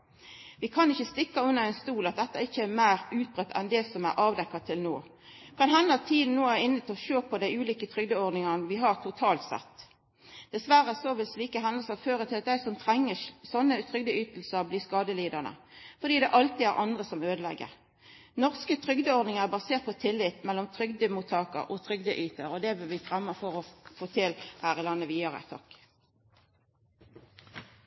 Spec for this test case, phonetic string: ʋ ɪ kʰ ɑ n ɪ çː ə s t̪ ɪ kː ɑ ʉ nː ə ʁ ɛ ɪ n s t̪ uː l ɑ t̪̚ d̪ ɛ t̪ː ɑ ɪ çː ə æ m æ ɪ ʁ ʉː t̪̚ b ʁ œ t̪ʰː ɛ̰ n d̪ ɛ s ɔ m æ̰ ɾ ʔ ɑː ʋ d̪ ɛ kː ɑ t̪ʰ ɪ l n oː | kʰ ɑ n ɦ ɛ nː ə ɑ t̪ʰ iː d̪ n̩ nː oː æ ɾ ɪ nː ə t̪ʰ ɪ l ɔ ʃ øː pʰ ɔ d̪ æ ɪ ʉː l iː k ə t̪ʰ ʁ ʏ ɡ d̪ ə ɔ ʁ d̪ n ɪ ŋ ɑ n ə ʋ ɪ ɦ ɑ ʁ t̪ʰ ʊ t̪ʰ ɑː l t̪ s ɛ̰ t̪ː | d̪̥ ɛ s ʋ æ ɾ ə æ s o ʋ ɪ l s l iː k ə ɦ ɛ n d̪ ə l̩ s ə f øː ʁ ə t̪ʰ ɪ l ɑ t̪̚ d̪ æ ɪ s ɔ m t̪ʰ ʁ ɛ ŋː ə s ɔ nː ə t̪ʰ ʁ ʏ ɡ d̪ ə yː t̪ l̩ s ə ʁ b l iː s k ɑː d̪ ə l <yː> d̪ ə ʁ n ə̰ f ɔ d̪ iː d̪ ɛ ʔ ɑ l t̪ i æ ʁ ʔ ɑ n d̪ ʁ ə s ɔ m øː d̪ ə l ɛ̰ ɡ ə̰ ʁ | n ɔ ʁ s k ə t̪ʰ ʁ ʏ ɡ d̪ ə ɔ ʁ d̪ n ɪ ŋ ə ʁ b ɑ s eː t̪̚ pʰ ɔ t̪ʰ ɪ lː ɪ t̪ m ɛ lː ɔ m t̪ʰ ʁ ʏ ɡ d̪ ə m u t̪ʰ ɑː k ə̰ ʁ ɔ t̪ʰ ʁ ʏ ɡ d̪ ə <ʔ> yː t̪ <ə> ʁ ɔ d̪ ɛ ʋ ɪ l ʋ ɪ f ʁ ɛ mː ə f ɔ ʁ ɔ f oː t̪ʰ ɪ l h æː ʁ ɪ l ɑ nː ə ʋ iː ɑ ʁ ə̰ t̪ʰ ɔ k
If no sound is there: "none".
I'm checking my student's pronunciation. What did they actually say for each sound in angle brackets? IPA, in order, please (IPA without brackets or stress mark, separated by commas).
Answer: iː, ʔ, ə